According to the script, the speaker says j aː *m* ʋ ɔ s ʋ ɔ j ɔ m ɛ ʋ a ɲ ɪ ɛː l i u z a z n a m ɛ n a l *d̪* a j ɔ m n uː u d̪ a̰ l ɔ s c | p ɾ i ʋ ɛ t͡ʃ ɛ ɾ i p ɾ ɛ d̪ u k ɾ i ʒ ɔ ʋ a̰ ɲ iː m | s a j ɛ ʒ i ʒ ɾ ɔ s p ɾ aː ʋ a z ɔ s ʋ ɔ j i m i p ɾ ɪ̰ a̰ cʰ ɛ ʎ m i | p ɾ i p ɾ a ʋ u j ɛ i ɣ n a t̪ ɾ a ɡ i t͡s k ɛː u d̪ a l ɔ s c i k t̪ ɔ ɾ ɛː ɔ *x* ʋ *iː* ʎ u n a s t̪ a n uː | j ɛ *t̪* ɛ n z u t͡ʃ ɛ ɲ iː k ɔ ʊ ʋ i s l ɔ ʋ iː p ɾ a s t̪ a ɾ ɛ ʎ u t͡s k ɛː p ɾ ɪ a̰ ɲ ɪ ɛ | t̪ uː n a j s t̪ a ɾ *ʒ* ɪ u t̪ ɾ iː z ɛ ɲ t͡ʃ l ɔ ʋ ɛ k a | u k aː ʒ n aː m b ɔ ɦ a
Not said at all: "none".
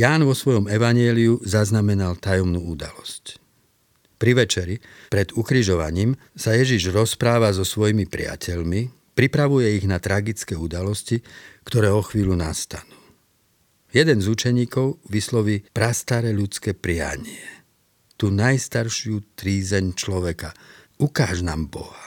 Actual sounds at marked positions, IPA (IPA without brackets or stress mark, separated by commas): n, t̪, x, iː, d̪, ʃ